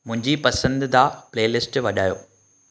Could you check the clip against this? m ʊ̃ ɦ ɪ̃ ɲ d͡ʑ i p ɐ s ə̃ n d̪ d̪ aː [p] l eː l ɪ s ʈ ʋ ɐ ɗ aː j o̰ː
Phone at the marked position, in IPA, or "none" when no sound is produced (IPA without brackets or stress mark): p